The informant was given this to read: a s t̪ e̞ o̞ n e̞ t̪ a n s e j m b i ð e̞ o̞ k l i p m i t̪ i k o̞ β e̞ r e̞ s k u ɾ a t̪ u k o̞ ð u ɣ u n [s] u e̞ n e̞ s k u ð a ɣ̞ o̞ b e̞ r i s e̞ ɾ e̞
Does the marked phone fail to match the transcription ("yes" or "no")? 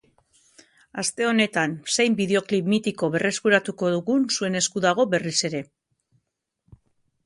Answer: no